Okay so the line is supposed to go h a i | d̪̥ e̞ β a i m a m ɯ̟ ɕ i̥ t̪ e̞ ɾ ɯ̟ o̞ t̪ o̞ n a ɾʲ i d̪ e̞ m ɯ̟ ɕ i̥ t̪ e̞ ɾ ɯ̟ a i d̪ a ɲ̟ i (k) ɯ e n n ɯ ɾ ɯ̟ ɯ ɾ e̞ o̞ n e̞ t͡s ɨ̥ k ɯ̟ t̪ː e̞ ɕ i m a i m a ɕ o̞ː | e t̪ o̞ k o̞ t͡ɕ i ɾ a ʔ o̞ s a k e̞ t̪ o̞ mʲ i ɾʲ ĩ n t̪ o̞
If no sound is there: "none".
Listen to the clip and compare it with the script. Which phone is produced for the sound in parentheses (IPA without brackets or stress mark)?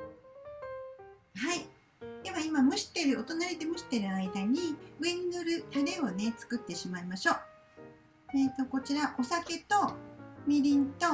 none